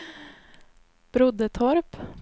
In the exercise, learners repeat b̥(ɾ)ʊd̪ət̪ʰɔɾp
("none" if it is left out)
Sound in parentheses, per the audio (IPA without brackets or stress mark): ɾ